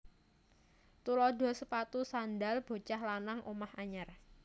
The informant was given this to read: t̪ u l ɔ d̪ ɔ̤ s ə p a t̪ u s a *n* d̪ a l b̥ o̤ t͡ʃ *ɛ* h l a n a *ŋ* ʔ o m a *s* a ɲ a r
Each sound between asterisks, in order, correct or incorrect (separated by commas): correct, incorrect, correct, incorrect